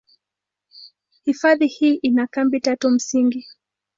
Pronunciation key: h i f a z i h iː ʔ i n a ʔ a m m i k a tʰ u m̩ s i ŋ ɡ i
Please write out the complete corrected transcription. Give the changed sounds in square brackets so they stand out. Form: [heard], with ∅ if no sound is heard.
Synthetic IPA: h i f a [ð] i h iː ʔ i n a [k] a m [b] i [t] a [t] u m̩ s i ŋ ɡ i

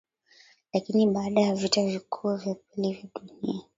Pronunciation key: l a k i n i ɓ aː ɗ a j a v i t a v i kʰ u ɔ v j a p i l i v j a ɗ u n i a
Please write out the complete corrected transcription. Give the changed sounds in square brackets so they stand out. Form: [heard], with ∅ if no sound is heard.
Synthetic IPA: l a k i n i ɓ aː ɗ a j a v i t a v i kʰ u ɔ v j a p i l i v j a ɗ u n i a

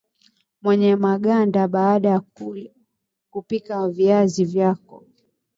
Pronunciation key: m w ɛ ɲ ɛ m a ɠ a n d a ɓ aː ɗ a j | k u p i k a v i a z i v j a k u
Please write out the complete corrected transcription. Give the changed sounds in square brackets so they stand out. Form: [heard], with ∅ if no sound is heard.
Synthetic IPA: m w ɛ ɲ ɛ m a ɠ a n d a ɓ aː ɗ a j | k u p i k a v i a z i v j a k [ɔ]

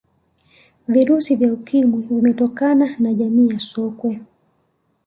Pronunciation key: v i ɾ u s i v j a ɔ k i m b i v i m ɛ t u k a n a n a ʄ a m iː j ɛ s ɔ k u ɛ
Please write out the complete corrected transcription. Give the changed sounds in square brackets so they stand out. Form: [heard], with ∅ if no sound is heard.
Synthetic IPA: v i ɾ u s i v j a [u] k i m [w] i v i m ɛ t [ɔ] k a n a n a ʄ a m iː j [a] s ɔ k [w] ɛ

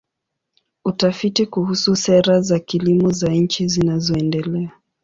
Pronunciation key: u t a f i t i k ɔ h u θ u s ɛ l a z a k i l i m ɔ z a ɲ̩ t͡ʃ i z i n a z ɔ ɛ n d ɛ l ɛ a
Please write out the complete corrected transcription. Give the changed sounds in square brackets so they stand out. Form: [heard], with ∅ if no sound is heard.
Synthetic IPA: u t a f i t i k [u] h u [s] u s ɛ [ɾ] a z a k i l i m ɔ z a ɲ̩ t͡ʃ i z i n a z ɔ ɛ n d ɛ l ɛ a

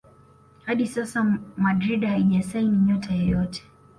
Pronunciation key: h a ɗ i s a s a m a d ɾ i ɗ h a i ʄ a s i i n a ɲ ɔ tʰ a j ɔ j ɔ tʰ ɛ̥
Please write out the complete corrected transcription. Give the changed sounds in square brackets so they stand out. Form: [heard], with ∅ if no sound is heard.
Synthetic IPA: h a ɗ i s a s a m a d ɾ i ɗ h a i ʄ a s [a] i n [i] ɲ ɔ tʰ a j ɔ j ɔ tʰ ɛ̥

